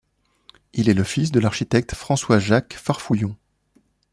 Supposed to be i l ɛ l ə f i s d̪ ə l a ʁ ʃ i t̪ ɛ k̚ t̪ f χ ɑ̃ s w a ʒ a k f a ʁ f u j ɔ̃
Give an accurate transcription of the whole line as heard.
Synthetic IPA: i l ɛ l ə f i s d̪ ə l a ʁ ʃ i t̪ ɛ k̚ t̪ f χ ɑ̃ s w a ʒ a k f a ʁ f u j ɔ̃

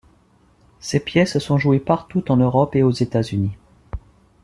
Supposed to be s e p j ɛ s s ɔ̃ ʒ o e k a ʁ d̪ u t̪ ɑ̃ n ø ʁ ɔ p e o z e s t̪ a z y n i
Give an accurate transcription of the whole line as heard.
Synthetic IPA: s e p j ɛ s s ɔ̃ ʒ u e p a ʁ t̪ u t̪ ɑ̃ n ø ʁ ɔ p e o z e t̪ a z y n i

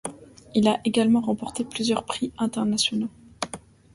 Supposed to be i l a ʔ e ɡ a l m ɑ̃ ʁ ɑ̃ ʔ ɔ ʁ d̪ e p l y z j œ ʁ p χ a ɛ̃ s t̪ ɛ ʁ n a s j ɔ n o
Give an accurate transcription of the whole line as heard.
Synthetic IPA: i l a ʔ e ɡ a l m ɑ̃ ʁ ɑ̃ p ɔ ʁ t̪ e p l y z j œ ʁ p χ i ɛ̃ t̪ ɛ ʁ n a s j ɔ n o

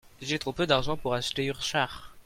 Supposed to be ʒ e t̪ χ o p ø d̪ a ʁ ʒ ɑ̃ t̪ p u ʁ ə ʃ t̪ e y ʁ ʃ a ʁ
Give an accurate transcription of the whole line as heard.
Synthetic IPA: ʒ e t̪ χ o p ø d̪ a ʁ ʒ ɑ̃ p u ʁ a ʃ t̪ e y ʁ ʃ a ʁ

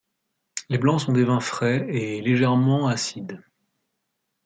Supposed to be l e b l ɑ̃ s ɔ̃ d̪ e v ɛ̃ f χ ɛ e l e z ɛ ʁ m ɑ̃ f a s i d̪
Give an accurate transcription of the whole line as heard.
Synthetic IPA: l e b l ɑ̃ s ɔ̃ d̪ e v ɛ̃ f χ ɛ e l e ʒ ɛ ʁ m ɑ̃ a s i d̪

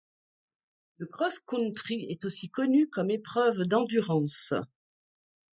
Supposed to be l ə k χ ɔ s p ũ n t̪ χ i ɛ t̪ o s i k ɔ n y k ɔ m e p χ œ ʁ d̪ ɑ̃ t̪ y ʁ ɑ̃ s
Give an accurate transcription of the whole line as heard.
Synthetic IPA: l ə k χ ɔ s k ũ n t̪ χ i ɛ t̪ o s i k ɔ n y k ɔ m e p χ œ v d̪ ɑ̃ d̪ y ʁ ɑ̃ s

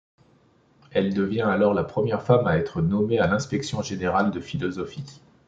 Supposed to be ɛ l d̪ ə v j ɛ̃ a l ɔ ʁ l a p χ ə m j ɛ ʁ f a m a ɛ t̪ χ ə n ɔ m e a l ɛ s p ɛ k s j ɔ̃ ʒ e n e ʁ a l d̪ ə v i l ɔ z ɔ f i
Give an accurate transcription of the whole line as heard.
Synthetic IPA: ɛ l d̪ ə v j ɛ̃ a l ɔ ʁ l a p χ ə m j ɛ ʁ f a m a ɛ t̪ χ ə n ɔ m e a l ɛ̃ s p ɛ k s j ɔ̃ ʒ e n e ʁ a l d̪ ə f i l ɔ z ɔ f i

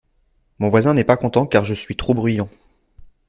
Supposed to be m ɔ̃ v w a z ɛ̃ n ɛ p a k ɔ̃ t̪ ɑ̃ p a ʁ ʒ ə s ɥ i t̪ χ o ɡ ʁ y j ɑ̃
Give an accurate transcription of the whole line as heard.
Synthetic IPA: m ɔ̃ v w a z ɛ̃ n ɛ p a k ɔ̃ t̪ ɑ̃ k a ʁ ʒ ə s ɥ i t̪ χ o b ʁ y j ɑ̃

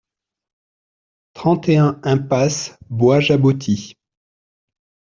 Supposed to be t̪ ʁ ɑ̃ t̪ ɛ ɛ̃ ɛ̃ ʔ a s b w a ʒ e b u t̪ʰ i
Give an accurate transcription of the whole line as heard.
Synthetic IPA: t̪ χ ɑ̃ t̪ e ɛ̃ ɛ̃ p a s b w a ʒ a b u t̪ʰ i

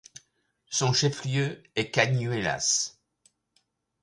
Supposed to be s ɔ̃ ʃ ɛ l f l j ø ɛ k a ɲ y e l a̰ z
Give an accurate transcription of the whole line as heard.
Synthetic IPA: s ɔ̃ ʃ ɛ f l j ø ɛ k a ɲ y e l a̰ s

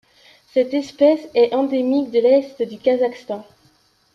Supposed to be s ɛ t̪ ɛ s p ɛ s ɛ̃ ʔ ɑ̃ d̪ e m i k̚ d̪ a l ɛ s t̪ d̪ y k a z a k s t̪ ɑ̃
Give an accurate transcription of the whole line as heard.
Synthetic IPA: s ɛ t̪ ɛ s p ɛ s ɛ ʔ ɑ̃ d̪ e m i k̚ d̪ ə l ɛ s t̪ d̪ y k a z a k s t̪ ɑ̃

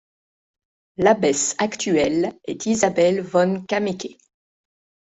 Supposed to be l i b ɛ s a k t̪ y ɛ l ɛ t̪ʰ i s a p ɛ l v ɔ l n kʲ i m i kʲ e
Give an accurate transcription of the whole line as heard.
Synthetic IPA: l a b ɛ s a k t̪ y ɛ l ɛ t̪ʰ i z a b ɛ l v ɔ n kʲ a m e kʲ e

